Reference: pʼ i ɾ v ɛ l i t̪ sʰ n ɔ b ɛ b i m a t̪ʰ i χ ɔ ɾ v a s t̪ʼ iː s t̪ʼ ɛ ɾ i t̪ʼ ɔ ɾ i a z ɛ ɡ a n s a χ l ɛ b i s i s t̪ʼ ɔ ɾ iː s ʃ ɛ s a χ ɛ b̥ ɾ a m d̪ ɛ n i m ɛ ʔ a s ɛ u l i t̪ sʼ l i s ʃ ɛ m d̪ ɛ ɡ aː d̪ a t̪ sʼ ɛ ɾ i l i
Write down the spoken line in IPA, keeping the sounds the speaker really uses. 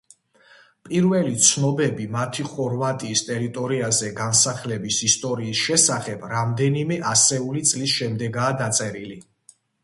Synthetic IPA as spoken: pʼ i ɾ v ɛ l i t̪ sʰ n ɔ b ɛ b i m a t̪ʰ i χ ɔ ɾ v a t̪ʼ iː s t̪ʼ ɛ ɾ i t̪ʼ ɔ ɾ i a z ɛ ɡ a n s a χ l ɛ b i s i s t̪ʼ ɔ ɾ iː s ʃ ɛ s a χ ɛ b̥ ɾ a m d̪ ɛ n i m ɛ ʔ a s ɛ u l i t̪ sʼ l i s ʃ ɛ m d̪ ɛ ɡ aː d̪ a t̪ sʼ ɛ ɾ i l i